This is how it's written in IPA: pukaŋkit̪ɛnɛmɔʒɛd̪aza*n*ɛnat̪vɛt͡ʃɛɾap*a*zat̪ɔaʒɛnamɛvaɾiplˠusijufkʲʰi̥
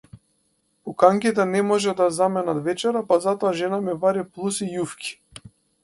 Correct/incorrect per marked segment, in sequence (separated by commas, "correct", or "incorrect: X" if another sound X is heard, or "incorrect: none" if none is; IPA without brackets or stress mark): incorrect: m, correct